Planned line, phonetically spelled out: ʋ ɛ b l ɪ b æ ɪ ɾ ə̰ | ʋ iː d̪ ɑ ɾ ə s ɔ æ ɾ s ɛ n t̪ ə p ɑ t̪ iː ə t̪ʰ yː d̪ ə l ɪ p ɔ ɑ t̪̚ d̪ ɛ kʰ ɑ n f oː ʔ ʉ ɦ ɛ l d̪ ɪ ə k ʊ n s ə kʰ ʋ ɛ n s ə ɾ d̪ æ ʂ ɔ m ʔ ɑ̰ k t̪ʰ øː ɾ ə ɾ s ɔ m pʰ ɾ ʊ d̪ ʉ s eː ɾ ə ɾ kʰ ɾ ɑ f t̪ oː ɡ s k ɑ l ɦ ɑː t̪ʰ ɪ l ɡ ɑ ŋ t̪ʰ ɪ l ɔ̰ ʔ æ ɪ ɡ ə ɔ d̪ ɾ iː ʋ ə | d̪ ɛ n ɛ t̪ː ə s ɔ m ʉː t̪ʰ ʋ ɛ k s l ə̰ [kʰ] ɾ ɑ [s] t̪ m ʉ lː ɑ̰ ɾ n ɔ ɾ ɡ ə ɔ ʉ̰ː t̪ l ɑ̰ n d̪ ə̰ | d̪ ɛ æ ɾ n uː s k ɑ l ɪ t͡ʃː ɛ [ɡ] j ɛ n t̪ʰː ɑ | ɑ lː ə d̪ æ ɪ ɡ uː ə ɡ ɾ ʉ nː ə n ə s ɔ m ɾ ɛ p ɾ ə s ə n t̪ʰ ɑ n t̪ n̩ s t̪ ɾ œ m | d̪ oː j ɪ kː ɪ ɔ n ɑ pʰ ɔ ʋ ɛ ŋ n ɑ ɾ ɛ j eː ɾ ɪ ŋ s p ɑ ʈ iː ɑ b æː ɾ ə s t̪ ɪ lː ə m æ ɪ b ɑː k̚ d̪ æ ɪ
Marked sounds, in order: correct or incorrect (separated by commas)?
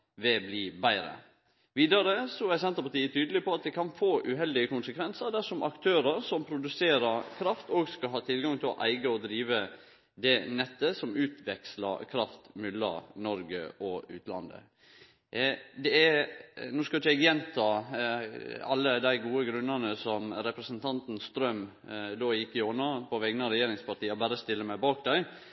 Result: correct, incorrect, correct